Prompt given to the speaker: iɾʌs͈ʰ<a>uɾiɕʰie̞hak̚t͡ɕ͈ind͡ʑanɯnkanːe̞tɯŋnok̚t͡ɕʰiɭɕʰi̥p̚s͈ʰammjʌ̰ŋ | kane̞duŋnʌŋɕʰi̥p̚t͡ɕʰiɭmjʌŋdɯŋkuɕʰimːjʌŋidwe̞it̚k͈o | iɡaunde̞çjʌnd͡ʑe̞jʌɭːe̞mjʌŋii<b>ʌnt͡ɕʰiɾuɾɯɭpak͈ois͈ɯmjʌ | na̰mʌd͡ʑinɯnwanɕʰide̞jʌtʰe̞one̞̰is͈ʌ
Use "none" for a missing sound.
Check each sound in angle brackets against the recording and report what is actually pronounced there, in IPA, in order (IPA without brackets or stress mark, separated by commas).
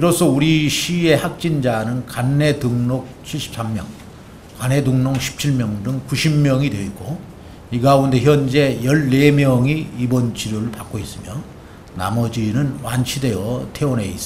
ʌ, b